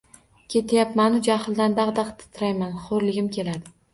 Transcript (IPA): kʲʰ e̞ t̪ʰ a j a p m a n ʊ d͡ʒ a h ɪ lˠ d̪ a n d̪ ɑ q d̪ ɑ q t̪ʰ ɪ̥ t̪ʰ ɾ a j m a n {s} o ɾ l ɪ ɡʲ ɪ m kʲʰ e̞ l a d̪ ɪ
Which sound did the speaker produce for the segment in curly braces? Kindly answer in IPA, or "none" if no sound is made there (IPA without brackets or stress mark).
χ